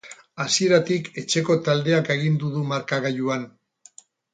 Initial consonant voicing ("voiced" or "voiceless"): voiceless